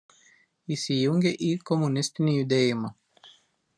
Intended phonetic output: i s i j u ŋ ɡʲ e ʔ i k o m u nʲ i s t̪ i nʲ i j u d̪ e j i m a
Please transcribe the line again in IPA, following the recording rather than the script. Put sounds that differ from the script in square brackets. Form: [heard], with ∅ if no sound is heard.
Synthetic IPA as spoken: i s i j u ŋ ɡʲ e ʔ i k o m u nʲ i s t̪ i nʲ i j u d̪ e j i m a